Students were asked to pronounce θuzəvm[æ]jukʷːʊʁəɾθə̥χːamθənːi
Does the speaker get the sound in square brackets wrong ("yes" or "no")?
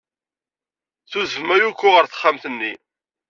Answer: no